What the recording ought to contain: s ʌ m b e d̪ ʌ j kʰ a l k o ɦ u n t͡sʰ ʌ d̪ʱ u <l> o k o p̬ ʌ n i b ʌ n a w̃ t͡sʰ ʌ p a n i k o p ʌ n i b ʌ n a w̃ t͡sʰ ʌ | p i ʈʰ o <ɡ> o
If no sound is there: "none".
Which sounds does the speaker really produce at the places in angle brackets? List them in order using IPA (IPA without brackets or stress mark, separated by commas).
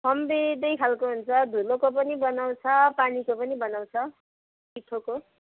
l, k